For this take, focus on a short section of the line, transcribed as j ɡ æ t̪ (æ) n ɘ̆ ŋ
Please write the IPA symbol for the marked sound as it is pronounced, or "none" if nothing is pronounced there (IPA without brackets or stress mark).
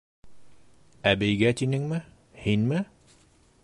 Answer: i